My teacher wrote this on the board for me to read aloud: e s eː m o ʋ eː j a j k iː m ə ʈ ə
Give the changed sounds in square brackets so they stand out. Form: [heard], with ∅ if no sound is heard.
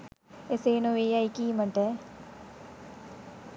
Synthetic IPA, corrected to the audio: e s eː [n] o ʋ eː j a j k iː m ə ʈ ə